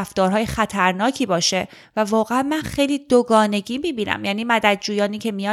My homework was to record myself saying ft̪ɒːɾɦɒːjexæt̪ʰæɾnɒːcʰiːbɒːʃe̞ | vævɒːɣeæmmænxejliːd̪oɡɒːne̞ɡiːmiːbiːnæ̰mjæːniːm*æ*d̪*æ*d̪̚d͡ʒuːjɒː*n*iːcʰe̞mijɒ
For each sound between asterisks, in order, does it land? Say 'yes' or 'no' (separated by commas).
yes, yes, yes